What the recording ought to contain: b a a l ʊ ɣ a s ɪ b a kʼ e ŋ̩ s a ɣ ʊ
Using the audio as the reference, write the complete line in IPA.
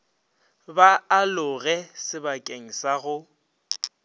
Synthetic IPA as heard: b a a l ʊ ɣ ɛ s ɪ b a kʼ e ŋ̩ s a ɣ ʊ